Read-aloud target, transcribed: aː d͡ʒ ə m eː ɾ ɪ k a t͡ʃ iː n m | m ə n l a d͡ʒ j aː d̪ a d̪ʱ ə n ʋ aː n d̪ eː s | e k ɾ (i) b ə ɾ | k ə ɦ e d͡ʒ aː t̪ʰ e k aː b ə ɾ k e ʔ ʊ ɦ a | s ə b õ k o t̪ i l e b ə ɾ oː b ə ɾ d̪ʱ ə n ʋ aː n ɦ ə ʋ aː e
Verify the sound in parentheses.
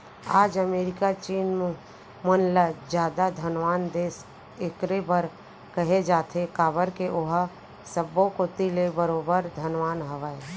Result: incorrect: e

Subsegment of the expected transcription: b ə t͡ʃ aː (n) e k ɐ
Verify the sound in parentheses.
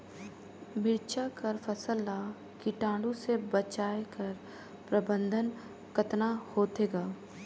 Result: incorrect: none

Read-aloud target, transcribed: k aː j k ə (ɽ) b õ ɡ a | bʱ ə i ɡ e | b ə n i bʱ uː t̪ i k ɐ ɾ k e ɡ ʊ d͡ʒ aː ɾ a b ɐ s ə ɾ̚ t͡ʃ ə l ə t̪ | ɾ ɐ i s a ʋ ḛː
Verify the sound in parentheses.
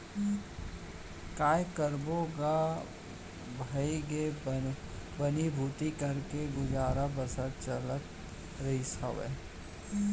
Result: incorrect: ɾ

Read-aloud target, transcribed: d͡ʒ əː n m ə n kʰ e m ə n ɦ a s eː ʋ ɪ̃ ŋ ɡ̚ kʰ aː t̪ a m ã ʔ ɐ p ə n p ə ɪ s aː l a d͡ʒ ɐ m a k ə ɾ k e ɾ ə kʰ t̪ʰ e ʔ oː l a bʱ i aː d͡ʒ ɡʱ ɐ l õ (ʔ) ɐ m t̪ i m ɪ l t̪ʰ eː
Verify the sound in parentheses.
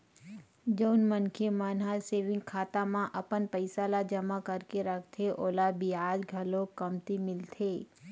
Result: incorrect: k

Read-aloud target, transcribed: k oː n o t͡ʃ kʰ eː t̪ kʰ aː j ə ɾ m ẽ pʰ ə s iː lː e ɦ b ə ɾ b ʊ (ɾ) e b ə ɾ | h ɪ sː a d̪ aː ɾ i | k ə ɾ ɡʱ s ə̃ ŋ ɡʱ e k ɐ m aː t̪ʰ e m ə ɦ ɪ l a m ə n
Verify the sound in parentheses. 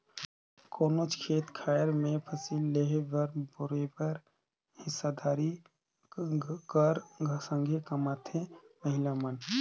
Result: correct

